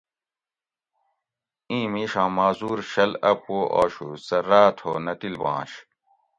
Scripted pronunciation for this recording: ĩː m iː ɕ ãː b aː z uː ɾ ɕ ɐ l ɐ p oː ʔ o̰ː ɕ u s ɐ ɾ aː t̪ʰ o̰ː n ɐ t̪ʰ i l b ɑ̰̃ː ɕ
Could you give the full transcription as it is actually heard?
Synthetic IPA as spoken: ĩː m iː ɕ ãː m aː z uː ɾ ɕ ɐ l ɐ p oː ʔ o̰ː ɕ u s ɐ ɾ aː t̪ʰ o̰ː n ɐ t̪ i l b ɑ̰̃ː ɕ